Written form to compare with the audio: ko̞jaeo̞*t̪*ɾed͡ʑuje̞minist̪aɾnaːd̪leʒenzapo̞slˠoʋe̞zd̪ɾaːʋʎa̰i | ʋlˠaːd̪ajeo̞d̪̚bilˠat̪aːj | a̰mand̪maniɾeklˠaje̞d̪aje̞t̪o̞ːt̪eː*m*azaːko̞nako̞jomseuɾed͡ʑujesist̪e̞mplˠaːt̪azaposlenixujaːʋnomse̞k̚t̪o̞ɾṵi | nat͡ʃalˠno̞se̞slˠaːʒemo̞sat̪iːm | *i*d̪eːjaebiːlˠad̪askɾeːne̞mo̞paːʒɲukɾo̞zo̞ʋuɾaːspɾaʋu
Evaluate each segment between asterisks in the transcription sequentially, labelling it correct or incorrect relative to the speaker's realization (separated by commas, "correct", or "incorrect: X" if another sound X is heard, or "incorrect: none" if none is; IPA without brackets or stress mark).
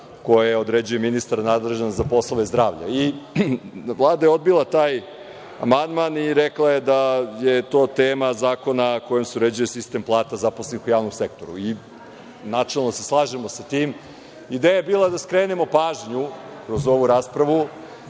incorrect: d̪, correct, correct